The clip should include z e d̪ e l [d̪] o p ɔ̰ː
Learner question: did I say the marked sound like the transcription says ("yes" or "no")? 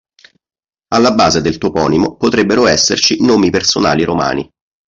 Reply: no